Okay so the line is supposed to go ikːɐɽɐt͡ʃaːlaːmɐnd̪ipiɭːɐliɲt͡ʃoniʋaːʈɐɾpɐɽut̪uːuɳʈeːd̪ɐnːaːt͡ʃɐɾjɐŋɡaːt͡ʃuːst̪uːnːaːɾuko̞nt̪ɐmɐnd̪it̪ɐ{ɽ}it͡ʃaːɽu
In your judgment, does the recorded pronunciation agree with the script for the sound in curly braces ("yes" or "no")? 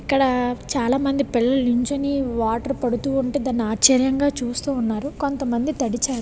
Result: yes